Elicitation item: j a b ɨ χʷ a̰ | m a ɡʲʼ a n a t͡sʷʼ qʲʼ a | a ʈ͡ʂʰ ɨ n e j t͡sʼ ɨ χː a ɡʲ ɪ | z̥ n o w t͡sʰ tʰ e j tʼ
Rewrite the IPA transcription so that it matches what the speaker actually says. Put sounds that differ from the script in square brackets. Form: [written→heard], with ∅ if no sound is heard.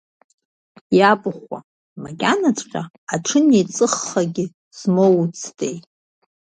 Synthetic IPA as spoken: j a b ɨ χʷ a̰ | m a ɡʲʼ a n a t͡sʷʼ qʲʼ a | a ʈ͡ʂʰ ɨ n e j t͡sʼ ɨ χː a ɡʲ ɪ | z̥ [n→m] o w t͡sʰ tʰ e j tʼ

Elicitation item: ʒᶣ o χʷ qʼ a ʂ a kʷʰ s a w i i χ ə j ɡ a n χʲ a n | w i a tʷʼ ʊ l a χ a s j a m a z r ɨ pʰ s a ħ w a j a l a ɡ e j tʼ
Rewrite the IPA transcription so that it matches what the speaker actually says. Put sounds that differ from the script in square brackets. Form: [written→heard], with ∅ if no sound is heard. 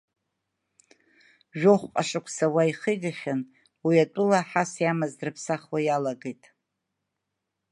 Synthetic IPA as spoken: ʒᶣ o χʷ qʼ a ʂ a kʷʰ s a w [i→a] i χ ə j ɡ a [n→∅] χʲ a n | w i a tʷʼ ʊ l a [χ→ħ] a s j a m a z r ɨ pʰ s a [ħ→χ] w a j a l a ɡ e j tʼ

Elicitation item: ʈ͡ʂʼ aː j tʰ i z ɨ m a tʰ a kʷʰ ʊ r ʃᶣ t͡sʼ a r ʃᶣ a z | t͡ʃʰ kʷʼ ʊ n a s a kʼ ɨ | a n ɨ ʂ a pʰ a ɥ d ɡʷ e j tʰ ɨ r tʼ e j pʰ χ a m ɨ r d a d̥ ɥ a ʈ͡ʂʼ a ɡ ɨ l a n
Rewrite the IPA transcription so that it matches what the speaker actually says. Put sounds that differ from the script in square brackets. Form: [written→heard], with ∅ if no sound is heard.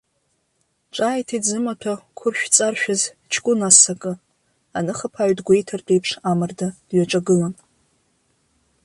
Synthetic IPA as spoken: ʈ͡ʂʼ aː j tʰ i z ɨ m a tʰ a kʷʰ ʊ r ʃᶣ t͡sʼ a r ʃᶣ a z | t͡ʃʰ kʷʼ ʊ n a s a kʼ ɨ | a n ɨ [ʂ→χ] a pʰ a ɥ d ɡʷ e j tʰ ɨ r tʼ e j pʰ [χ→ʂ] a m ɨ r d a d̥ ɥ a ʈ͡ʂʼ a ɡ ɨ l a n

